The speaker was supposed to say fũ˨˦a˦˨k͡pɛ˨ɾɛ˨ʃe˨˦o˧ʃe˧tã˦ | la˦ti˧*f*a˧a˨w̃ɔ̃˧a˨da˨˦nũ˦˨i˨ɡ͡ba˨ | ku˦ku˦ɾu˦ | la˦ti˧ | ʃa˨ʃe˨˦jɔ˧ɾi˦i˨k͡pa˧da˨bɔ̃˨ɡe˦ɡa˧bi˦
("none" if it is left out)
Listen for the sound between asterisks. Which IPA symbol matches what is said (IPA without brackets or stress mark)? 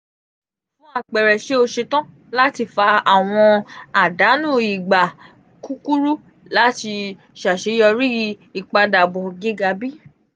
f